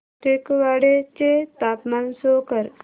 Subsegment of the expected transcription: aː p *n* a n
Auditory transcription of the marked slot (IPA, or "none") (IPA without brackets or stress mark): m